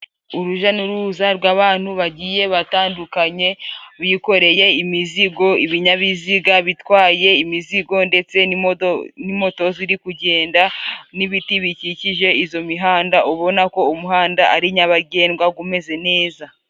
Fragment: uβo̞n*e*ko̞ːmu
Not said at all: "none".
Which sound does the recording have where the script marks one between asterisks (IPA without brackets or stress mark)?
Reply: a